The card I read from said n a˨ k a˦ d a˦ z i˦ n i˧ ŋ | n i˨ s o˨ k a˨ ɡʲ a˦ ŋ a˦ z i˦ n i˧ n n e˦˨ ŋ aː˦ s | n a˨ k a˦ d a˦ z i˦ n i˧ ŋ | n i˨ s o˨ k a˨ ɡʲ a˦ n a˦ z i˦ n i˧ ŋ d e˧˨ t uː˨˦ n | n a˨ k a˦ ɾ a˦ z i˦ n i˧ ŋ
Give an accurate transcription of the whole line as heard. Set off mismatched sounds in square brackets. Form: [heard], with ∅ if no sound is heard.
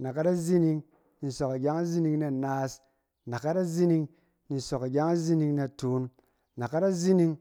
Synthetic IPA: n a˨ k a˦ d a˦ z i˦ n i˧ ŋ | n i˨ s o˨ k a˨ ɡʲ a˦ ŋ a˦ z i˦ n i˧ [ŋ] n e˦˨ [n] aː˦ s | n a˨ k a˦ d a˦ z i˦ n i˧ ŋ | n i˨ s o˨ k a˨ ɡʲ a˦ [ŋ] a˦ z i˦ n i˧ ŋ [n] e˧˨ t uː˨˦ n | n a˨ k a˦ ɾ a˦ z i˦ n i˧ ŋ